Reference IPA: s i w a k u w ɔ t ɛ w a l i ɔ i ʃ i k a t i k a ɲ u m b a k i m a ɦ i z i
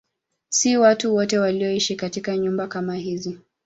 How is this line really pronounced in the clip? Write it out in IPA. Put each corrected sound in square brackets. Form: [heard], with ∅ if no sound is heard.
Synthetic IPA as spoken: s i w a [t] u w ɔ t ɛ w a l i ɔ i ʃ i k a t i k a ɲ u m b a k [a] m a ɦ i z i